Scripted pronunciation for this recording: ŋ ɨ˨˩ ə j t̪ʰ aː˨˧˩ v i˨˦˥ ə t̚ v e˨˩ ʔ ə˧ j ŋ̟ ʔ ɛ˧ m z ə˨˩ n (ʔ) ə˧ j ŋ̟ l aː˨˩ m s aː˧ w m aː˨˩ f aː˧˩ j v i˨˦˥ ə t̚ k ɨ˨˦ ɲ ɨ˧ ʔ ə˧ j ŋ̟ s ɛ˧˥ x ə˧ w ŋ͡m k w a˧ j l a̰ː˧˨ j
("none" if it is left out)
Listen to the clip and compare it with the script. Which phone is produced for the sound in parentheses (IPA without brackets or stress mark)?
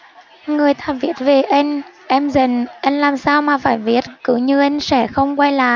ʔ